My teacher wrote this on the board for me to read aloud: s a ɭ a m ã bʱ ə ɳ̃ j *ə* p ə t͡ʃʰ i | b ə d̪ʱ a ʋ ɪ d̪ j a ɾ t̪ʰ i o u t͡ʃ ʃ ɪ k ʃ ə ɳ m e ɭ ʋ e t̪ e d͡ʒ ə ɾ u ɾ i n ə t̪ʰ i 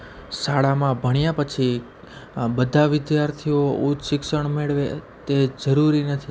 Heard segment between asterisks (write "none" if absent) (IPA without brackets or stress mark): a